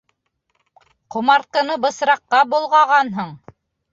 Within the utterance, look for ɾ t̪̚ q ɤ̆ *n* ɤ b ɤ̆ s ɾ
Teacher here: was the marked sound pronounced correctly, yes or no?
yes